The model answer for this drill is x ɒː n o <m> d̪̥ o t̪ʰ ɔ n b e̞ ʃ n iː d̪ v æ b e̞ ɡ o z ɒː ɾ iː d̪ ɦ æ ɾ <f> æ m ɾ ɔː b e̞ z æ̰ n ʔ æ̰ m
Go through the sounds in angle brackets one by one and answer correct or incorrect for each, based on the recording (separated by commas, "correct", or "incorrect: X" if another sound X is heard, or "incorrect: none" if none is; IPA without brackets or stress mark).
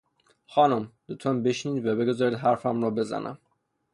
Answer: correct, correct